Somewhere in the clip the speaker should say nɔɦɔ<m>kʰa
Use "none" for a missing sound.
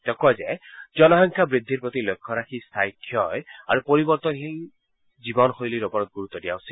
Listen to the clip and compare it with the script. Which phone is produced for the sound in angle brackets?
ŋ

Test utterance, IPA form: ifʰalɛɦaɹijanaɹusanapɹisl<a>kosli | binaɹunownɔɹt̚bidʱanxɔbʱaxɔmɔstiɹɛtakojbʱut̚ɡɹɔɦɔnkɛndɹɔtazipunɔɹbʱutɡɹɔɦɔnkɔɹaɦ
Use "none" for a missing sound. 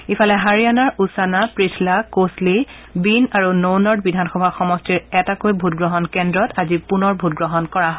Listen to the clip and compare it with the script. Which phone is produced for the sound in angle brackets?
a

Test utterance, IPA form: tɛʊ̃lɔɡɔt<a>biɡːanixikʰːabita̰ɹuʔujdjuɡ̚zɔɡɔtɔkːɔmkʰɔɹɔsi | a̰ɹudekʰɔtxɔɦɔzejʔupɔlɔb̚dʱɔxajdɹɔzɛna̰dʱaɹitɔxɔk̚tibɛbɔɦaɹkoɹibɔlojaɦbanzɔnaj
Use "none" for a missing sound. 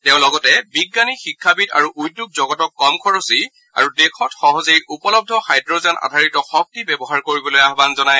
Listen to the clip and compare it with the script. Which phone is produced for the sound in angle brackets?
ɛ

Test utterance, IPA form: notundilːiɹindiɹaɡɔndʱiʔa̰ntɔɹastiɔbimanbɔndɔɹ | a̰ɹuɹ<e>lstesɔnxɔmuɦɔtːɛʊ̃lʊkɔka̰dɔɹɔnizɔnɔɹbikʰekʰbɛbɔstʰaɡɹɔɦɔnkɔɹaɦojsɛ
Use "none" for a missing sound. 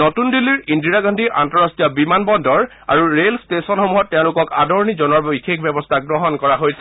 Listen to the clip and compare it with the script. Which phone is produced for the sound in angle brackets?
e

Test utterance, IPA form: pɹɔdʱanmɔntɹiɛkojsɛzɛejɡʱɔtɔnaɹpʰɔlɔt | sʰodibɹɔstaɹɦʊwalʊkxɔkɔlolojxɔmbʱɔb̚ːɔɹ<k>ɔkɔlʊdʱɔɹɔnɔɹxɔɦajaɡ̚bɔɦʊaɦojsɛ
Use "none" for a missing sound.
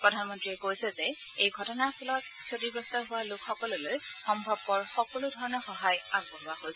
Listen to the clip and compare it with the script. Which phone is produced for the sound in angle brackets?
x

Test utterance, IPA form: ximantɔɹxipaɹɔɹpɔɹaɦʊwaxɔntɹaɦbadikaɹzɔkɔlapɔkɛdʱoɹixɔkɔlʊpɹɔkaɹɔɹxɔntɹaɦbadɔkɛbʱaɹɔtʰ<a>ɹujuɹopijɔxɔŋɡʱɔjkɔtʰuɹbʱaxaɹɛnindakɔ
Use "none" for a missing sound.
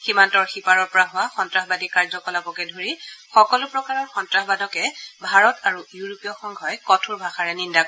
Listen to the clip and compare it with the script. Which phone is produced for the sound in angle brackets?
a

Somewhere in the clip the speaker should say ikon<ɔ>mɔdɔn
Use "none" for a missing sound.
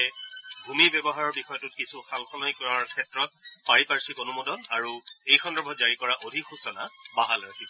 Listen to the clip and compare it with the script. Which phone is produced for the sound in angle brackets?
u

